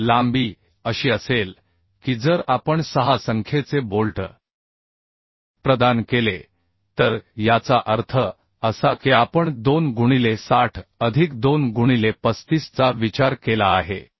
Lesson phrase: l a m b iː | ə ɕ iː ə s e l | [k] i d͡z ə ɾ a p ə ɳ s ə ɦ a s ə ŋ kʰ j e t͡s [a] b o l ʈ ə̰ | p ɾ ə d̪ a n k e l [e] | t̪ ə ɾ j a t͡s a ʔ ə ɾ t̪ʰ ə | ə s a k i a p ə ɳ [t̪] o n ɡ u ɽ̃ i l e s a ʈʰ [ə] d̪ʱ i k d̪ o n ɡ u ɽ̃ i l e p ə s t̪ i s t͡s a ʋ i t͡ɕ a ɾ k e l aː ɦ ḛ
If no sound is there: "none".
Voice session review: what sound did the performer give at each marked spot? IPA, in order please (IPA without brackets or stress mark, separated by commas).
k, e, e, d̪, ə